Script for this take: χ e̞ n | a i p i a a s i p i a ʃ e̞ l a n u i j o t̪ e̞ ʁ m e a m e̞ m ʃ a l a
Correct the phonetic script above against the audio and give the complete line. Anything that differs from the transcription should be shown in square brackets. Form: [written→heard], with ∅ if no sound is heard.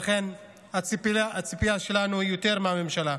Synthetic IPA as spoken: χ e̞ n | a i p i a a [s→t͡s] i p i a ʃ e̞ l a n u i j o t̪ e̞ ʁ m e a m e̞ m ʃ a l a